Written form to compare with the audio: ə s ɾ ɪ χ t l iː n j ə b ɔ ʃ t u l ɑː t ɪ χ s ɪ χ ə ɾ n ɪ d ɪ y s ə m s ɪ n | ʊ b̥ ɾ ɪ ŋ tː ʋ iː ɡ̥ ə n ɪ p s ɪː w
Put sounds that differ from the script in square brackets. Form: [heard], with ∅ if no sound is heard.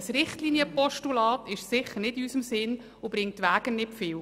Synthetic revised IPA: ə s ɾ ɪ χ t l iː n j ə [p] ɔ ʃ t u l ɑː t ɪ [ʃ] s ɪ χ ə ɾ n ɪ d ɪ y s ə m s ɪ n | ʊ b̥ ɾ ɪ ŋ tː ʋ [æː] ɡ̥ ə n ɪ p [f] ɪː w